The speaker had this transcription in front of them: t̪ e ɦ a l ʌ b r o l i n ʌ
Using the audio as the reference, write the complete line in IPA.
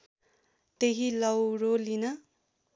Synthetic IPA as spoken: t̪ e ɦ i l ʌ w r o l i n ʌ